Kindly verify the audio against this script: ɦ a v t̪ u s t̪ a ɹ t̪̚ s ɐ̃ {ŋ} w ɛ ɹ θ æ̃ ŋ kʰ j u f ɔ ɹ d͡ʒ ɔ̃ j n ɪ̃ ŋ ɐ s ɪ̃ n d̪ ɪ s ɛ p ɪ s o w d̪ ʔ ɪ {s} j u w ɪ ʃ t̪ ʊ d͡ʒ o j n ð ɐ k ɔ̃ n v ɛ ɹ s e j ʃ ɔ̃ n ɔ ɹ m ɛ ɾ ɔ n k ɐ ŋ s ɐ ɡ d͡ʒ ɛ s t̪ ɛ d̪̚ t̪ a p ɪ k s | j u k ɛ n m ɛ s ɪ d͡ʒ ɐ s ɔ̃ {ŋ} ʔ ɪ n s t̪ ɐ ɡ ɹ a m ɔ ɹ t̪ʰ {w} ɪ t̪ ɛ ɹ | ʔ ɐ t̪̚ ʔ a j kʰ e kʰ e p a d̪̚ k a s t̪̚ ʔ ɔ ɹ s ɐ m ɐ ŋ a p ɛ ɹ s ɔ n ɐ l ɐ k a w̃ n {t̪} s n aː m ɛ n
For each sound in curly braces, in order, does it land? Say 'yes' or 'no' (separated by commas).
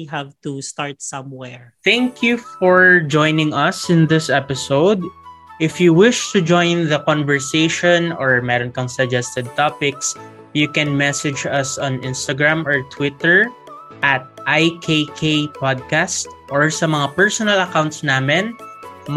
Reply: no, no, no, yes, yes